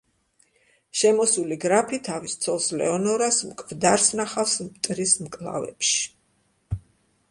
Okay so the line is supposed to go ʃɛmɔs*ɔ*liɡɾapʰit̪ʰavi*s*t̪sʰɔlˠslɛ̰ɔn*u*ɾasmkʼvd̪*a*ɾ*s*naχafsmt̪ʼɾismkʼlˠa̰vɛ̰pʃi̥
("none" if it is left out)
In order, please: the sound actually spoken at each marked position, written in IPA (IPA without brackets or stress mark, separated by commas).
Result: u, s, ɔ, a, s